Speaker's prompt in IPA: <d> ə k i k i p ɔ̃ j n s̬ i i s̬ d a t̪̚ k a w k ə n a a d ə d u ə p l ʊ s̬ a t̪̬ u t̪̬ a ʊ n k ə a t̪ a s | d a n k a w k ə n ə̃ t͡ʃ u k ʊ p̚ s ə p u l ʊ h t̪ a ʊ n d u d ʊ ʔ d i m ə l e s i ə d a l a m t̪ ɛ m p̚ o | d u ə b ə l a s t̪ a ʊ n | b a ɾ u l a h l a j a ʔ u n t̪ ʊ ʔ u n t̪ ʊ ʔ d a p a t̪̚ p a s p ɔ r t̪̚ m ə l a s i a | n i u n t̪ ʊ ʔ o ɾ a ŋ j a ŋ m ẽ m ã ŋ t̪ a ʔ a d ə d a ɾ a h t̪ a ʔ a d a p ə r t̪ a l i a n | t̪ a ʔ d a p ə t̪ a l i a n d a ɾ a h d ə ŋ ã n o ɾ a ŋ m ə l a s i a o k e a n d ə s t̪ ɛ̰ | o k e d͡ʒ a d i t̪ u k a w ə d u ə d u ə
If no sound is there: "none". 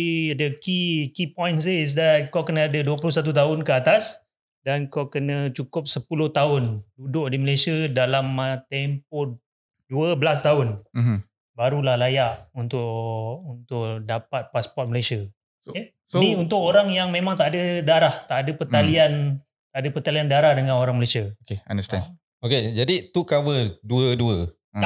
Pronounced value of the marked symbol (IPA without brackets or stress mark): d